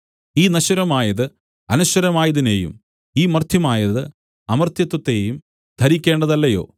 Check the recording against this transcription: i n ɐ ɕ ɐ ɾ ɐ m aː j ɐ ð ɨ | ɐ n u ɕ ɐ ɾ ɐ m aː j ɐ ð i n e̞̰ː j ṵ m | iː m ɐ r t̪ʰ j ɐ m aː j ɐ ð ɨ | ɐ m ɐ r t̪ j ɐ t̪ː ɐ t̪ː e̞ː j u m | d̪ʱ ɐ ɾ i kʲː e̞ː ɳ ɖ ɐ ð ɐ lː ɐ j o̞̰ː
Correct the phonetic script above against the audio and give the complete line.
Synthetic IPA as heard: iː n ɐ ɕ ɐ ɾ ɐ m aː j ɐ ð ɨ | ɐ n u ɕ ɐ ɾ ɐ m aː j ɐ ð i n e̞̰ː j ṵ m | iː m ɐ r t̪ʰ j ɐ m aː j ɐ ð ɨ | ɐ m ɐ r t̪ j ɐ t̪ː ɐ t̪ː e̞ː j u m | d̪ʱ ɐ ɾ i kʲː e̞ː ɳ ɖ ɐ ð ɐ lː ɐ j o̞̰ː